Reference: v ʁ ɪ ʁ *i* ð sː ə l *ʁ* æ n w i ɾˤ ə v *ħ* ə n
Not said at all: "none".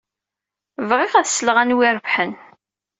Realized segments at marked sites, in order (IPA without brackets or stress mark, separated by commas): æ, ʁ, ħ